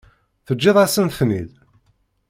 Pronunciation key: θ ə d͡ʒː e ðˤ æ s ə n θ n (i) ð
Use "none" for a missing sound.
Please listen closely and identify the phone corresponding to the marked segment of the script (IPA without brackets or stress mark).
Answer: i